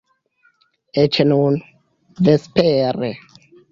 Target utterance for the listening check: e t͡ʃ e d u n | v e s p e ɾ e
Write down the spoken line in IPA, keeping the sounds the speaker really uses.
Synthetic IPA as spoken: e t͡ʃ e n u n | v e s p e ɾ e